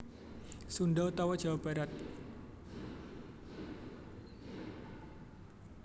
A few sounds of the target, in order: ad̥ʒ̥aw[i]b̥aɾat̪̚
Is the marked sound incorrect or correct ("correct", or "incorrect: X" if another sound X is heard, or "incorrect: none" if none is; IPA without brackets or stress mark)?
incorrect: a